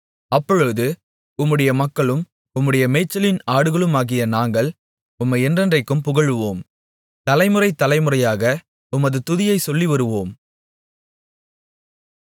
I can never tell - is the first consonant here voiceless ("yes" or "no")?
yes